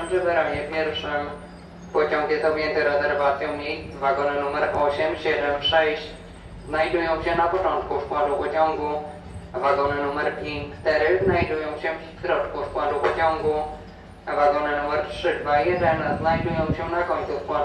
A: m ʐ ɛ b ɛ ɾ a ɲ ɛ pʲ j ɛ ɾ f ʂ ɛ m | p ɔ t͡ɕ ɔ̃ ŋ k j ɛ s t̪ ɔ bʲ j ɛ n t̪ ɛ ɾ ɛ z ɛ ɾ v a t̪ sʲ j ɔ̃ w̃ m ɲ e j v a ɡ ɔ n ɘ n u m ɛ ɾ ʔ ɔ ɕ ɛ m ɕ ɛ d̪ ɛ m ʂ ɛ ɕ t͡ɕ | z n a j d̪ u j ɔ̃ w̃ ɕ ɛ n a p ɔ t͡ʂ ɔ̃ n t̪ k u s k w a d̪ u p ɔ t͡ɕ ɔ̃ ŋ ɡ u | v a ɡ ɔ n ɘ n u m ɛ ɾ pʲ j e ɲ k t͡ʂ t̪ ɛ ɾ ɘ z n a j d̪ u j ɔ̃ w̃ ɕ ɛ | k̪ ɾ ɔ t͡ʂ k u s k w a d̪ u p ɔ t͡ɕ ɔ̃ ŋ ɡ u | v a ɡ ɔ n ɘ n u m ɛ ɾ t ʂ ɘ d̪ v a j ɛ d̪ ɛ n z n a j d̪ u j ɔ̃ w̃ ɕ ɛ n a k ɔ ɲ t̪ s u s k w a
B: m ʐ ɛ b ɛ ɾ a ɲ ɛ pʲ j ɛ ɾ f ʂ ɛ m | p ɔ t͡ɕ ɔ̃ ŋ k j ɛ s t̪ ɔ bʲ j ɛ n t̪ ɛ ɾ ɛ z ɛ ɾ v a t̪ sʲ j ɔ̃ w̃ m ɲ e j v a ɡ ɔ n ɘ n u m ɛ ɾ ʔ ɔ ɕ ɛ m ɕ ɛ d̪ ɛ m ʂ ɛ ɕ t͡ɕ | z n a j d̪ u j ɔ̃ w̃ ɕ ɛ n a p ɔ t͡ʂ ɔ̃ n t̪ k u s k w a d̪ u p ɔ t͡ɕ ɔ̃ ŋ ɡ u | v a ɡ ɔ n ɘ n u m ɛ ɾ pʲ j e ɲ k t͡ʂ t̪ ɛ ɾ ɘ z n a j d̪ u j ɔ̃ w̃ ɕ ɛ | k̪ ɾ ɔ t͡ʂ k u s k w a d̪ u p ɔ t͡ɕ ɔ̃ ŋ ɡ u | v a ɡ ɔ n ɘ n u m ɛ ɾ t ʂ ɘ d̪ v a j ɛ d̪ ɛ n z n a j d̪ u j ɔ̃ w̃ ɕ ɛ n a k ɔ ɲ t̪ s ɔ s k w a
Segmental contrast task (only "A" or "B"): A